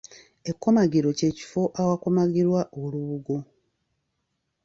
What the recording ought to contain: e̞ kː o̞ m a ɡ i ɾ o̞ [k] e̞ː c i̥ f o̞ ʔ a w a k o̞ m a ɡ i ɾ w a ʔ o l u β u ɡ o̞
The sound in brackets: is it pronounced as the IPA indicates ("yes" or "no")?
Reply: no